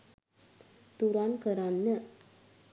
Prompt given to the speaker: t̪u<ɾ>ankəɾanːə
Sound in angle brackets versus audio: correct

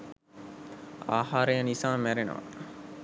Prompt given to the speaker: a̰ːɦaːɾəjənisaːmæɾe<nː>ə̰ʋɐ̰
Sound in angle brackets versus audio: incorrect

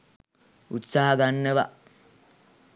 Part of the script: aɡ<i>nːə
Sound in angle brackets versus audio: incorrect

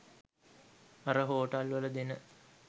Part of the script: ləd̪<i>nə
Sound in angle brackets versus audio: incorrect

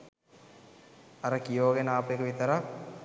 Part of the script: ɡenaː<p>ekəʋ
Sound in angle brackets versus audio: correct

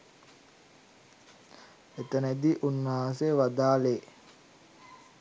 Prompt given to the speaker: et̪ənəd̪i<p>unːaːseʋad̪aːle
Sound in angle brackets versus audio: incorrect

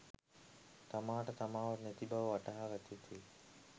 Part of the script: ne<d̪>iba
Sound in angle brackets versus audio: incorrect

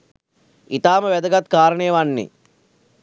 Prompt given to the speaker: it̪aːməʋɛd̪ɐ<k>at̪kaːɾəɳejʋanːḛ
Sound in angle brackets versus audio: incorrect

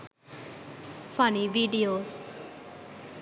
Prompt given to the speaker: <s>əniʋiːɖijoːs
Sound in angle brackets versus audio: incorrect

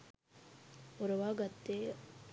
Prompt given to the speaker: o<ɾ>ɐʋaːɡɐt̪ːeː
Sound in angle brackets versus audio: correct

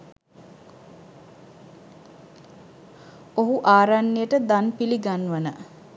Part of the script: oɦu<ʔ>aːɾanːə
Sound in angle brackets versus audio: correct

